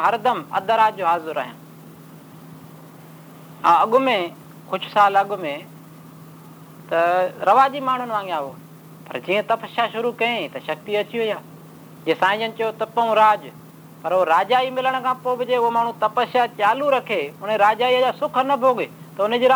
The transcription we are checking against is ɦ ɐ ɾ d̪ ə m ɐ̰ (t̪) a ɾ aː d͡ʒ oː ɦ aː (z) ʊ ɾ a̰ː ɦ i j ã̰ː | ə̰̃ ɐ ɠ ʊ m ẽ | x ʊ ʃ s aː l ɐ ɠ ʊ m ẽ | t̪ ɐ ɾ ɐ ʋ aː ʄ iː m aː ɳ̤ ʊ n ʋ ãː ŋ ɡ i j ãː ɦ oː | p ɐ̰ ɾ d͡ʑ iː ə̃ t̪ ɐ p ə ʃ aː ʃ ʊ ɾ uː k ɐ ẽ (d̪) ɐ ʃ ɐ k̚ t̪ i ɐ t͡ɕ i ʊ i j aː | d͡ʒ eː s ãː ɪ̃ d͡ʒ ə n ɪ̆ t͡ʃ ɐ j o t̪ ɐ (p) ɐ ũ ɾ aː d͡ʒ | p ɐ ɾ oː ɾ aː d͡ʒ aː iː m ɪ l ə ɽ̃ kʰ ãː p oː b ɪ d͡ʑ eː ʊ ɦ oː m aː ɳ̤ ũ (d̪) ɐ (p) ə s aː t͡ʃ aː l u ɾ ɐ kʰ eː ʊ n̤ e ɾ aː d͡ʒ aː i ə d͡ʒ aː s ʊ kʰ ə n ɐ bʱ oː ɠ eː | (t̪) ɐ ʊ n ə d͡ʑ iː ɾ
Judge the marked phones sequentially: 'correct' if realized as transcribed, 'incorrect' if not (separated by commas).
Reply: incorrect, correct, incorrect, correct, incorrect, correct, correct